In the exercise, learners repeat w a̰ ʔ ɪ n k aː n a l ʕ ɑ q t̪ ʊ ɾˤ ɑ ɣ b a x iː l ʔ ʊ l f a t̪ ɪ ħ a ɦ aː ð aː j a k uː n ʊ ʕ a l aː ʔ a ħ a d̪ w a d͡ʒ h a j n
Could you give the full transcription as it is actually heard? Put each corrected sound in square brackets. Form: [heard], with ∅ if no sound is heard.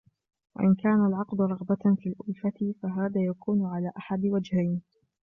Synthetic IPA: w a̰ ʔ ɪ n k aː n a l ʕ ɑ q [d̪] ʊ ɾˤ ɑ ɣ b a [f] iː l ʔ ʊ l f a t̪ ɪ [f] a ɦ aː ð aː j a k uː n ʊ ʕ a l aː ʔ a ħ a d̪ w a d͡ʒ h a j n